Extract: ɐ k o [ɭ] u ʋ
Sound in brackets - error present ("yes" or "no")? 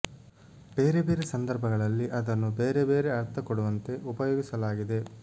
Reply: yes